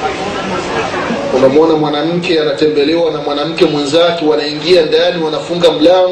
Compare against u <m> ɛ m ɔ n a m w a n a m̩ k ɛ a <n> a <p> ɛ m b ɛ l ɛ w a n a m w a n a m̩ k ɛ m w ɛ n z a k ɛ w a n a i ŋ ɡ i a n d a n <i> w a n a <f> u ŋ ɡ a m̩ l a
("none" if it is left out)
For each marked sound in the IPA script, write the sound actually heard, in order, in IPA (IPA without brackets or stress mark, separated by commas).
m, n, t, i, f